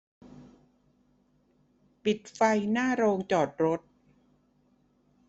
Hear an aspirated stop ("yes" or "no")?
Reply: no